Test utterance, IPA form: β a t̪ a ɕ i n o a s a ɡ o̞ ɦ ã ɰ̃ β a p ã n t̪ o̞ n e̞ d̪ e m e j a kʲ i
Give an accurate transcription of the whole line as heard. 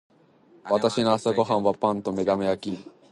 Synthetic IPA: β a t̪ a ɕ i n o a s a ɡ o̞ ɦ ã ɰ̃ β a p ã n t̪ o̞ m e̞ d̪ a m e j a kʲ i